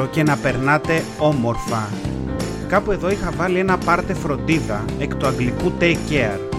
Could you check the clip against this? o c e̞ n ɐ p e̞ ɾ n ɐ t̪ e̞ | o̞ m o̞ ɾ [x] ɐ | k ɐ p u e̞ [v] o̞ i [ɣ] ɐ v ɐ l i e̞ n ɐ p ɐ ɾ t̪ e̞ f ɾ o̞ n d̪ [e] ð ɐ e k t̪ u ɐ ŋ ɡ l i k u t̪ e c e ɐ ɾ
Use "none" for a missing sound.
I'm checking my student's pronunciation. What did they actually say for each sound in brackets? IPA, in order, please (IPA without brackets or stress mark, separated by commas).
f, ð, x, i